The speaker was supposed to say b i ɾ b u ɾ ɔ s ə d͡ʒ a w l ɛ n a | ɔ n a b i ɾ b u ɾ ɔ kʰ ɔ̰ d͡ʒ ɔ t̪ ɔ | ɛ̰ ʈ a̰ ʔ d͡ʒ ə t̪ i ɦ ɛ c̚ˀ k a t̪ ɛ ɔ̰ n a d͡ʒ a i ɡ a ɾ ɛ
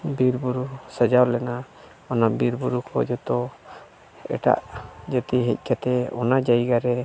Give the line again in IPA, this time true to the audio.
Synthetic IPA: b i ɾ b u ɾ u s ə d͡ʒ a w l ɛ n a | ɔ n a b i ɾ b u ɾ u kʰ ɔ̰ d͡ʒ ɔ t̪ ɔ | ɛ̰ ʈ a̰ ʔ d͡ʒ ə t̪ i ɦ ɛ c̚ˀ k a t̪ ɛ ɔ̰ n a d͡ʒ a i ɡ a ɾ ɛ